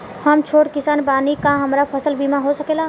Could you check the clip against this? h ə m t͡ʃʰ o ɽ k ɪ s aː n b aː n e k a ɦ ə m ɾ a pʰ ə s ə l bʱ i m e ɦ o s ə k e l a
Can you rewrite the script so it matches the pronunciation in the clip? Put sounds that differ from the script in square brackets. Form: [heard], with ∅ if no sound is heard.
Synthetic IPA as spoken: h ə m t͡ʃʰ o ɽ k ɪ s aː n b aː n [i] k a ɦ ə m ɾ a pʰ ə s ə l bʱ i m [a] ɦ o s ə k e l a